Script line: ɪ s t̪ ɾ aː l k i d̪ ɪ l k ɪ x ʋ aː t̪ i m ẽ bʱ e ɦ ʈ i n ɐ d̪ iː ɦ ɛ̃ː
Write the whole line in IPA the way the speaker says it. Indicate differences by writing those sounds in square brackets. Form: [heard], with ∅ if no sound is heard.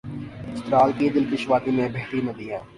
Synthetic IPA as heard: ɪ s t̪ ɾ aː l k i d̪ ɪ l k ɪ [ʃ] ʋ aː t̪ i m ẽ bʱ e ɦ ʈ i [m] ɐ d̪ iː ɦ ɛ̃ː